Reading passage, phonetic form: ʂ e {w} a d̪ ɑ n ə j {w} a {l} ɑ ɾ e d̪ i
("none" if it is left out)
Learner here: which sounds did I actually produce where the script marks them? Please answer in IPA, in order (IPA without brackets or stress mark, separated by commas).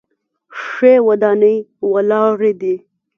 w, w, l